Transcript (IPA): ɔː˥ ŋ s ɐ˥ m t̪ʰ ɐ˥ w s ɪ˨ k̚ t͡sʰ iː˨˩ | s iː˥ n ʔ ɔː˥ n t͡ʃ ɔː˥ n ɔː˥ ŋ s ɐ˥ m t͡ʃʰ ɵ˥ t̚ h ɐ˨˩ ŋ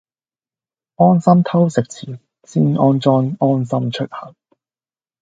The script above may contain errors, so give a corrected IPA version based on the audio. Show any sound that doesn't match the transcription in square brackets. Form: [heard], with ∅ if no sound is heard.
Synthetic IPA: ɔː˥ [n] s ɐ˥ m t̪ʰ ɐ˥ w s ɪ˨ k̚ t͡sʰ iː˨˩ | s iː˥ n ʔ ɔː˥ n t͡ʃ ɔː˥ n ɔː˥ [n] s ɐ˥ m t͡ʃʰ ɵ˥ t̚ h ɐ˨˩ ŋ